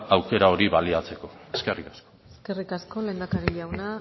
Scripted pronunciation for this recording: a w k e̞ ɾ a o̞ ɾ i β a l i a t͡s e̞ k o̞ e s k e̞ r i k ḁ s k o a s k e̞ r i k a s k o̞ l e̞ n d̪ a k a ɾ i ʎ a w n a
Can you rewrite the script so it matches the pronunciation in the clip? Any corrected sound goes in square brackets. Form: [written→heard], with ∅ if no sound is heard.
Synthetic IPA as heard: a w k e̞ ɾ a o̞ ɾ i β a l i a t͡s e̞ k o̞ e s k e̞ r i k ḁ s k o [a→e] s k e̞ r i k a s k o̞ l e̞ n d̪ a k a ɾ i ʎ a w n a